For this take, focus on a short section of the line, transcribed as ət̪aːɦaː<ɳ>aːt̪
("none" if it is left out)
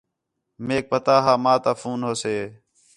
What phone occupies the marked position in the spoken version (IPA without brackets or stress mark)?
m